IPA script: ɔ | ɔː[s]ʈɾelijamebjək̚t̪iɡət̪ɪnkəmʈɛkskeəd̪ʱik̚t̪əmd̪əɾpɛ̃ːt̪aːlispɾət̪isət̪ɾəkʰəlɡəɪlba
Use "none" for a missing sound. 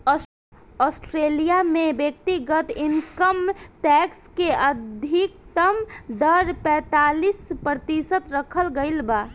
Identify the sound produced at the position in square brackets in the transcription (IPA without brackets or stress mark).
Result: s